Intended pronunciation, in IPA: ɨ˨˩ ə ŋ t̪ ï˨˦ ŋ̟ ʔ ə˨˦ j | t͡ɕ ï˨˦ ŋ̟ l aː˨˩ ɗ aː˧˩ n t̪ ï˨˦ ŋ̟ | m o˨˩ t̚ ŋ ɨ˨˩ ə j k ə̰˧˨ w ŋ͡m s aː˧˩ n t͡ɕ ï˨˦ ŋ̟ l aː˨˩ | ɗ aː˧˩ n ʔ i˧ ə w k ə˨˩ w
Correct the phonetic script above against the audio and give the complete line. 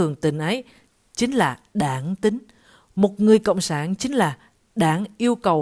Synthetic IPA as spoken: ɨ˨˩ ə ŋ t̪ ï˧˩ ŋ̟ ʔ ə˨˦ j | t͡ɕ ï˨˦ ŋ̟ l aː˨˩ ɗ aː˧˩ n t̪ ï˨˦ ŋ̟ | m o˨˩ t̚ ŋ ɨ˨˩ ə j k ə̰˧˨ w ŋ͡m s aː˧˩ n t͡ɕ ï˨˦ ŋ̟ l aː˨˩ | ɗ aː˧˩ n ʔ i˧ ə w k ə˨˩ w

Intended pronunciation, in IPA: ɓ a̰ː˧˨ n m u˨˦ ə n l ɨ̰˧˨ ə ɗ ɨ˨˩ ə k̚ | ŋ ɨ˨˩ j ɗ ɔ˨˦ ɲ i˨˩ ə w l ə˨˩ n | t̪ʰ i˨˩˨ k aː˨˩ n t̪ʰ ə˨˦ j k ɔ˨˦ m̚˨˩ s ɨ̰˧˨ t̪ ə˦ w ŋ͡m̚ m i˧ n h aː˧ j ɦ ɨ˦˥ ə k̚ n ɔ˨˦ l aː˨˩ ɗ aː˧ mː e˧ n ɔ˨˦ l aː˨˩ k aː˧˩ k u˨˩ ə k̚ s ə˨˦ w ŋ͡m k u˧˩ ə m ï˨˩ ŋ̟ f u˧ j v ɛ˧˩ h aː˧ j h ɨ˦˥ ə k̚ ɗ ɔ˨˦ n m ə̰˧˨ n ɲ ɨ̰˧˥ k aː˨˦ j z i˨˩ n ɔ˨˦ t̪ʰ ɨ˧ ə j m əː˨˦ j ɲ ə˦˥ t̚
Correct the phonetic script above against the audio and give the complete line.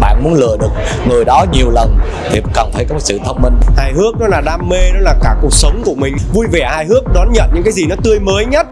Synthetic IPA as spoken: ɓ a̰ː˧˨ n m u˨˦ ə n l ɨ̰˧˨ ə ɗ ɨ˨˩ ə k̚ | ŋ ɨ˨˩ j ɗ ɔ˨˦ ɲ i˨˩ ə w l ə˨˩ n | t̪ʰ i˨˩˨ k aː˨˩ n t̪ʰ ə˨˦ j k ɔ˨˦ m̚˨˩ s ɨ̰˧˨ t̪ʰ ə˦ w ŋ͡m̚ m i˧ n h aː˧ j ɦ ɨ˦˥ ə k̚ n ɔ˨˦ l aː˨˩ ɗ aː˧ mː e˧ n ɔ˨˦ l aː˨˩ k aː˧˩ k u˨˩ ə k̚ s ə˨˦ w ŋ͡m k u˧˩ ə m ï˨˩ ŋ̟ v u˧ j v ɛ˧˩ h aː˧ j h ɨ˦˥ ə k̚ ɗ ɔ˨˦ n ɲ ə̰˧˨ n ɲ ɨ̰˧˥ k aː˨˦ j z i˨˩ n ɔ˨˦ t̪ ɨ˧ ə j m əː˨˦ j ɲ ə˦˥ t̚

